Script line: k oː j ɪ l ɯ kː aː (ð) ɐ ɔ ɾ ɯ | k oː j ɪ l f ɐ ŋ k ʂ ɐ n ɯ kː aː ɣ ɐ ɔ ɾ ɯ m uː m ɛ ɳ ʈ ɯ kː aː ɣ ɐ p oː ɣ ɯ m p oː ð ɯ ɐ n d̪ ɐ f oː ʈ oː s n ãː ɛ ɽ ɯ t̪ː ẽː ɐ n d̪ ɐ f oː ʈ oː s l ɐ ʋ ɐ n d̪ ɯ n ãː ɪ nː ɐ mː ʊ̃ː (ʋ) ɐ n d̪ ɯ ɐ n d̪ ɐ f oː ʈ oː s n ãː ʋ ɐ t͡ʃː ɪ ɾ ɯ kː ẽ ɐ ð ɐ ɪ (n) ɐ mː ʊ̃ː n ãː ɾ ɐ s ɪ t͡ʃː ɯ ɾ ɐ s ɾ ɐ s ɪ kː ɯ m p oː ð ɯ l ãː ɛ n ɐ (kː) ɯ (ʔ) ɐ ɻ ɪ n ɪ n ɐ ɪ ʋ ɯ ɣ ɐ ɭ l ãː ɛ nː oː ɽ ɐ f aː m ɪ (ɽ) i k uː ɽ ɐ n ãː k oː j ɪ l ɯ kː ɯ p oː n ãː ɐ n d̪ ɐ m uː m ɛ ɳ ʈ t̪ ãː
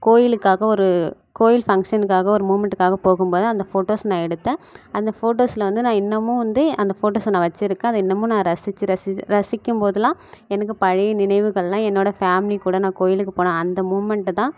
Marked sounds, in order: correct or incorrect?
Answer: incorrect, correct, incorrect, correct, incorrect, incorrect

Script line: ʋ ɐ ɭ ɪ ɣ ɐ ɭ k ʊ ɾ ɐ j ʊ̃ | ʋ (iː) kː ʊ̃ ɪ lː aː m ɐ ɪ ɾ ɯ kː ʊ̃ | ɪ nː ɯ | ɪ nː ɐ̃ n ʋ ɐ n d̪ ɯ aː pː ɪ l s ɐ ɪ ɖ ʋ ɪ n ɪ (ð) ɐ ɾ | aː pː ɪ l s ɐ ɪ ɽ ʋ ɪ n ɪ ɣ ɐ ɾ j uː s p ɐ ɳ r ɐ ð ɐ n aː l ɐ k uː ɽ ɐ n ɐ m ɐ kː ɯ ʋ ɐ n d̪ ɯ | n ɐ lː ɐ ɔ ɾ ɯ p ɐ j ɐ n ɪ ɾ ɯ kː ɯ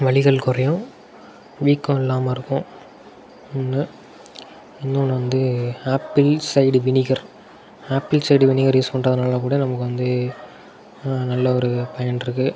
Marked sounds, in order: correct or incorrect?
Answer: correct, incorrect

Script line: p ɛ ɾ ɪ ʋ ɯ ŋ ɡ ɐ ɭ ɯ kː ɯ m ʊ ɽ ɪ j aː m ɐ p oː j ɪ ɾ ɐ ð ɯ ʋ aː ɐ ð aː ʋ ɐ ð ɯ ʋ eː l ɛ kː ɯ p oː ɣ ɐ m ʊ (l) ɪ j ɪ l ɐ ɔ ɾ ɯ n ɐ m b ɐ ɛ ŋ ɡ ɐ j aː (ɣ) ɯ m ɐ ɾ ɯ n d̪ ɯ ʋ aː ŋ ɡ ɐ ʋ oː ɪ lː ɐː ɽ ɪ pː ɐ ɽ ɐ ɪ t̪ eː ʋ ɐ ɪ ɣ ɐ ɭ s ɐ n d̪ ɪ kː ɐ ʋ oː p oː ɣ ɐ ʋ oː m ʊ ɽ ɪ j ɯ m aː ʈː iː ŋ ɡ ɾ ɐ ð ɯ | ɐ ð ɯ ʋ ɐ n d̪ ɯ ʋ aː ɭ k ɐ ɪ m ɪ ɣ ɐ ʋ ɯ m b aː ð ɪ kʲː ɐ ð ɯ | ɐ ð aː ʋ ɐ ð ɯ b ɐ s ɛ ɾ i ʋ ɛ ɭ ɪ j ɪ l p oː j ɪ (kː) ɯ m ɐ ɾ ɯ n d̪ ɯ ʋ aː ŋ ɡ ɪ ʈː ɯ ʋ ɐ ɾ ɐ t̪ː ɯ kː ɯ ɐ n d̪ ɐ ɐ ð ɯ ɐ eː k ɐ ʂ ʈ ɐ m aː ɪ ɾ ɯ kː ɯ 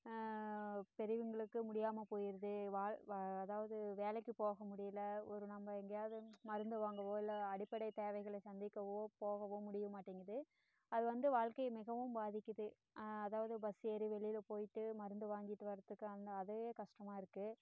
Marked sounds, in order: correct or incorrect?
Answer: incorrect, incorrect, incorrect

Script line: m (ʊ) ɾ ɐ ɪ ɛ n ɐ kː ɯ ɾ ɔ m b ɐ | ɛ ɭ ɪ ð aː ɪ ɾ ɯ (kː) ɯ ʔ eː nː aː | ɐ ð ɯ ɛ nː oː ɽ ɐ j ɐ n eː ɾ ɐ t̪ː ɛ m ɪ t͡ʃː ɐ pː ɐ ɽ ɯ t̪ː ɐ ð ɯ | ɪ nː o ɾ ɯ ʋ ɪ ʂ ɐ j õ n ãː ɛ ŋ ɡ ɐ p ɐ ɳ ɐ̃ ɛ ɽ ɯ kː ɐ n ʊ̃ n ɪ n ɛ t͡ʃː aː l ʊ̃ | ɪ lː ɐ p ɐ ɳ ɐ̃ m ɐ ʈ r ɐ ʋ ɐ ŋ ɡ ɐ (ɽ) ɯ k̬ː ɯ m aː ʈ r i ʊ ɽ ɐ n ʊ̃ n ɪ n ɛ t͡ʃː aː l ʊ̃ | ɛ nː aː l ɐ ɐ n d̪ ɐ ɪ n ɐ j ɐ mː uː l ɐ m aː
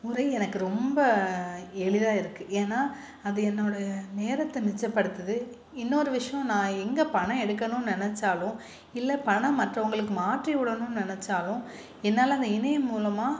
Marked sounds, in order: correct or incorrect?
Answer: correct, correct, incorrect

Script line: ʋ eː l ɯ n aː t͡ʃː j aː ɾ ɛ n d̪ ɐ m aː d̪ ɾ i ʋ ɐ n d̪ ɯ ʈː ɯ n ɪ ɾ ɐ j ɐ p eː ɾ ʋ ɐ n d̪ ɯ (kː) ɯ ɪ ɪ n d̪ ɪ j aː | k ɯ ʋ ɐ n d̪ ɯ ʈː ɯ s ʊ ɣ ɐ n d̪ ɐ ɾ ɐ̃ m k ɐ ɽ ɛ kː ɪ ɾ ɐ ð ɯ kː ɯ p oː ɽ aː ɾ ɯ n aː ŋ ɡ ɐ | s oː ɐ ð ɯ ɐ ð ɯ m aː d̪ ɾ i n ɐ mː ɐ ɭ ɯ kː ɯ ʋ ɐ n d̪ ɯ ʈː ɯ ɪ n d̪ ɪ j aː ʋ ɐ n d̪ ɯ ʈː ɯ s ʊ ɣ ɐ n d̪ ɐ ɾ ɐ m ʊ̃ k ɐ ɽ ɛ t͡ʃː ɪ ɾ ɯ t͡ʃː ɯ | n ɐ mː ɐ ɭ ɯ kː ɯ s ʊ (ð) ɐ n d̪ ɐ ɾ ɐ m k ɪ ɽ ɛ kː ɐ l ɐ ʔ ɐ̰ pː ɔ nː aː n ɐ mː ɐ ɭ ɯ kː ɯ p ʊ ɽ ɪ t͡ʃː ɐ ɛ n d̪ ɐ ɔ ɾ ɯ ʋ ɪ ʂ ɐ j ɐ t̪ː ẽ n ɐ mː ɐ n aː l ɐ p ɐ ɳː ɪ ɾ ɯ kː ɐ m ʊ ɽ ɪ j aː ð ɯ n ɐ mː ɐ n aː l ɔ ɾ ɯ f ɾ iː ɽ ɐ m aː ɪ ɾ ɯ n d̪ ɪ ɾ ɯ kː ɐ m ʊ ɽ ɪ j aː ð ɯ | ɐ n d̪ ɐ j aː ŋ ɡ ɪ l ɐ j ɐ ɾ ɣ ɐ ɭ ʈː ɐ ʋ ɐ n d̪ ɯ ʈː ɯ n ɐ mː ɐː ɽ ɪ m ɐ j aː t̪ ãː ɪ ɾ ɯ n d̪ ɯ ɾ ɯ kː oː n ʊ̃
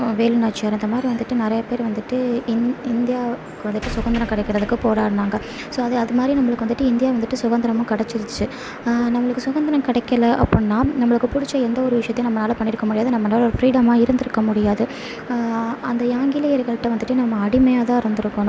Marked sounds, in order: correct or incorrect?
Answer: incorrect, incorrect

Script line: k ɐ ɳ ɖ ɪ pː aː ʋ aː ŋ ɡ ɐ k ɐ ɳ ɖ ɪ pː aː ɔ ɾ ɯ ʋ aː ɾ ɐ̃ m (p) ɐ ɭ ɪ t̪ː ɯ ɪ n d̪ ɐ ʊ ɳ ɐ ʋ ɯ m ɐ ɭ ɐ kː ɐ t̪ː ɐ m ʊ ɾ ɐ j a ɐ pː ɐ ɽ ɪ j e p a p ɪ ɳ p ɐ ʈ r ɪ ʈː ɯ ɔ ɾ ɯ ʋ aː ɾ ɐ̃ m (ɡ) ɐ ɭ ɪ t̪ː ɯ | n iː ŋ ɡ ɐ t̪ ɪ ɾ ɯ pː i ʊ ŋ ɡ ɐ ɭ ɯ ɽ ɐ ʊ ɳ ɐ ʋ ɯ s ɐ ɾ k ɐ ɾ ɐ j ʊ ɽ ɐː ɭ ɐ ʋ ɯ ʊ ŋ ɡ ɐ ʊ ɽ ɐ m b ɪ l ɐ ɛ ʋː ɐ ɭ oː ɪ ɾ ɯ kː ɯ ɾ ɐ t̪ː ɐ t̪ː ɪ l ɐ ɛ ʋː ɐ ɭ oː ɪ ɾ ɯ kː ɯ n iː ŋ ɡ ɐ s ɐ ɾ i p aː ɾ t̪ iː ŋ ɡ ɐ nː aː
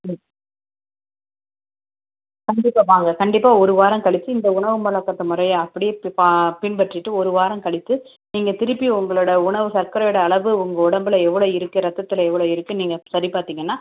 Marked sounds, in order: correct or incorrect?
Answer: incorrect, incorrect

